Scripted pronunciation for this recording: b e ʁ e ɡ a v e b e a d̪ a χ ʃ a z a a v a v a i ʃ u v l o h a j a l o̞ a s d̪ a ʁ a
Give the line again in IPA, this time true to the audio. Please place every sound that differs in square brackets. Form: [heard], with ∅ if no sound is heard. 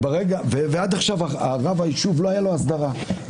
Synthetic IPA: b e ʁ e ɡ a v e [v] e a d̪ a χ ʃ a [v] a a [ʁ] a v a i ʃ u v l o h a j a l o̞ a s d̪ a ʁ a

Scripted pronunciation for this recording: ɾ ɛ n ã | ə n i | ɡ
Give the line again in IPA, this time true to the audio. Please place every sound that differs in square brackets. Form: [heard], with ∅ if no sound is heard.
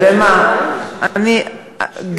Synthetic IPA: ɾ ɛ [m] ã | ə n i | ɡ

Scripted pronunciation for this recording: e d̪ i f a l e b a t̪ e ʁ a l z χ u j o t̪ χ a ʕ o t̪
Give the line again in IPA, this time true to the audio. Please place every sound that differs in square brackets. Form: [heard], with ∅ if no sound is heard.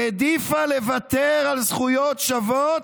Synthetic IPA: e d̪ i f a l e [v] a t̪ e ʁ a l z χ u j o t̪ [ʃ] a [v] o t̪

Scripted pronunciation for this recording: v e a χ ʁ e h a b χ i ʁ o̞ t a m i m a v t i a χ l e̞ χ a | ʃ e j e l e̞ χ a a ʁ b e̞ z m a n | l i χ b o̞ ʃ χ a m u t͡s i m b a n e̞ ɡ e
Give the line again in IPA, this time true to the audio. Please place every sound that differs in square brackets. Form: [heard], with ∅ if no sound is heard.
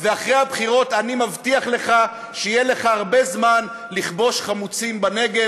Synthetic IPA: v e a χ ʁ e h a b χ i ʁ o̞ t a [n] i m a v t i a χ l e̞ χ a | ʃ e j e l e̞ χ a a ʁ b e̞ z m a n | l i χ b o̞ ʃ χ a m u t͡s i m b a n e̞ ɡ e

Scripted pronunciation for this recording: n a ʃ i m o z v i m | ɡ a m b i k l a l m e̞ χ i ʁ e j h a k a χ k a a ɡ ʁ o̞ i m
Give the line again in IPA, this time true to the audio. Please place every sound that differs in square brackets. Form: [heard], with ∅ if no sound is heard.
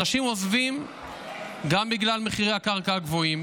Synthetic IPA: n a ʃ i m o z v i m | ɡ a m b i [ɡ] l a l m e̞ χ i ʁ e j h a k a [ʁ] k a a ɡ [v] o̞ i m

